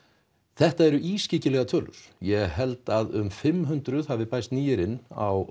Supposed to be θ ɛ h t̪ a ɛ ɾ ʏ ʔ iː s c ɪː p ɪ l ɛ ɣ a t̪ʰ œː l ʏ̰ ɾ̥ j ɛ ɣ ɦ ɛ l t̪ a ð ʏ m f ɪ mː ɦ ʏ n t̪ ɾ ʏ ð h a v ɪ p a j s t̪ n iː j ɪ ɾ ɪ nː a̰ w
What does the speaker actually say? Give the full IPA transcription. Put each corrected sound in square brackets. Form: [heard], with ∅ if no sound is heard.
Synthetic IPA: θ ɛ h t̪ a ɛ ɾ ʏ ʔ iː s c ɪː [c] ɪ l ɛ ɣ a t̪ʰ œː l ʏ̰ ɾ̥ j ɛ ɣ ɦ ɛ l t̪ a ð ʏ m f ɪ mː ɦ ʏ n t̪ ɾ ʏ ð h a v ɪ p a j s t̪ n iː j ɪ ɾ ɪ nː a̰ w